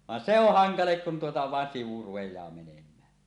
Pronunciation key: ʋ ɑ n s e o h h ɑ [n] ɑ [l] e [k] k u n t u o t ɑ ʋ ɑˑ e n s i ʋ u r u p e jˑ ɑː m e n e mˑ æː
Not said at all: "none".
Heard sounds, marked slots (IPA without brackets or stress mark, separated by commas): ŋ, l, k